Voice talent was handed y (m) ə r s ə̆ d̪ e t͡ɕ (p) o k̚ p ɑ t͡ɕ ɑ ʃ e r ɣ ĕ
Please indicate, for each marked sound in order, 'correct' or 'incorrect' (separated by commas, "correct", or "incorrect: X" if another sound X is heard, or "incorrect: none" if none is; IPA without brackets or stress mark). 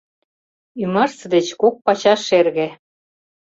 correct, incorrect: k